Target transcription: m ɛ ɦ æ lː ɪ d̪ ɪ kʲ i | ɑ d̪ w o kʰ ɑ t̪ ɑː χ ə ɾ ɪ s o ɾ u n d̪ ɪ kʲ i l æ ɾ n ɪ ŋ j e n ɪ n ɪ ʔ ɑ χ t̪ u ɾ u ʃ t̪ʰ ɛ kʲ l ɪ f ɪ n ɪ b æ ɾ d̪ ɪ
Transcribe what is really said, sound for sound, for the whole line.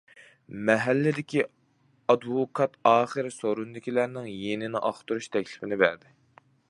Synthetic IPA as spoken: m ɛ ɦ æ lː ɪ d̪ ɪ kʲ i | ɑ d̪ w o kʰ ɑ t̪ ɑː χ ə ɾ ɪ s o ɾ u n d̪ ɪ kʲ i l æ ɾ n ɪ ŋ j e n ɪ n ɪ ʔ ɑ χ t̪ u ɾ u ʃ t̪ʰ ɛ kʲ l ɪ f ɪ n ɪ b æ ɾ d̪ ɪ

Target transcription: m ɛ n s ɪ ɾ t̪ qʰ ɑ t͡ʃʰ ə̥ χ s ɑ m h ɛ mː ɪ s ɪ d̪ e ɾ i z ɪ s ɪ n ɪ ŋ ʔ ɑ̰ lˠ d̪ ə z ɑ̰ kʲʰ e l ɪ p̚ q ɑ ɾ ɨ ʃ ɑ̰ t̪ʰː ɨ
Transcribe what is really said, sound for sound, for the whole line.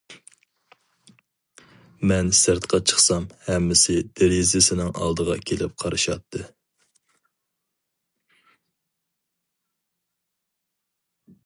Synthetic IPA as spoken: m ɛ n s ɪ ɾ t̪ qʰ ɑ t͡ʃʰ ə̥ χ s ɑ m h ɛ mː ɪ s ɪ d̪ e ɾ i z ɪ s ɪ n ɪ ŋ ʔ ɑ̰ lˠ d̪ ə ʁ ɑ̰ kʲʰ e l ɪ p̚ qʰ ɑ ɾ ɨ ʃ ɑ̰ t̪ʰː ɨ

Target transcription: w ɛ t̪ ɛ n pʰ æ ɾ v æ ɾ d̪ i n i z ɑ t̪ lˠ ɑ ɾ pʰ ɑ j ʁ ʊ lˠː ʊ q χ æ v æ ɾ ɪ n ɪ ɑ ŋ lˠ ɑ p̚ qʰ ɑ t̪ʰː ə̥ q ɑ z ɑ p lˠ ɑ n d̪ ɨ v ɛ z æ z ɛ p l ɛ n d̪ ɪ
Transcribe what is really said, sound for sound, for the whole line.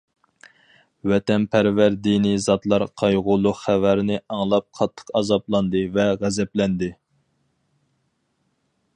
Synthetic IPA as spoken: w ɛ t̪ ɛ n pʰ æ ɾ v æ ɾ d̪ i n i z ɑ t̪ lˠ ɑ ɾ qʰ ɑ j ʁ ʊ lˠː ʊ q χ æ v æ ɾ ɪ n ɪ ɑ ŋ lˠ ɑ p̚ qʰ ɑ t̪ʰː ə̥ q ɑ z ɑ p lˠ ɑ n d̪ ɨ v ɛ ʁ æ z ɛ p l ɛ n d̪ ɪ

